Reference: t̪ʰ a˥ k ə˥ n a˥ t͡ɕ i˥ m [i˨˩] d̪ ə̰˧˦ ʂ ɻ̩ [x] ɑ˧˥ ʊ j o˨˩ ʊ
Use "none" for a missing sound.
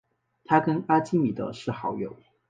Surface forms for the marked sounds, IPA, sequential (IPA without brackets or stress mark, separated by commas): i˨˩, x